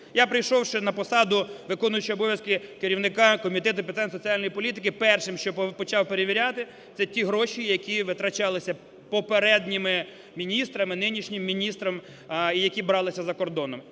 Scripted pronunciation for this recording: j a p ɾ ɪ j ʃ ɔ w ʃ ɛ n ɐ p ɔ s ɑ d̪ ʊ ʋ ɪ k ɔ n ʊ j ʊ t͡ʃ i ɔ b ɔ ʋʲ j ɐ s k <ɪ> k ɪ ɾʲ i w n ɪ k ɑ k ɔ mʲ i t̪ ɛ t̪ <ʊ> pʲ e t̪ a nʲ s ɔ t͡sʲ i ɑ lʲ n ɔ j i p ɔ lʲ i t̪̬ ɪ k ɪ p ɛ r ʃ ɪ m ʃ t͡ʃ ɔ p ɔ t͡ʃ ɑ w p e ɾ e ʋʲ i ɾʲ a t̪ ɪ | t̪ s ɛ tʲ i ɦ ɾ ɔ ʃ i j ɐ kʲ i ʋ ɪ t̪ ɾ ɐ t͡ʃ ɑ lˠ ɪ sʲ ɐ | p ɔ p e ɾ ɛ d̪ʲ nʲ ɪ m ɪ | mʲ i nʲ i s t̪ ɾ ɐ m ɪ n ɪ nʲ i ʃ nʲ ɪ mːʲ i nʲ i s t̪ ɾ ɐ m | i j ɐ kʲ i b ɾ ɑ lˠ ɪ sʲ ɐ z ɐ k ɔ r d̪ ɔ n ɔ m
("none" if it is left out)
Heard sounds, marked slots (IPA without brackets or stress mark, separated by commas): ɪ, ʊ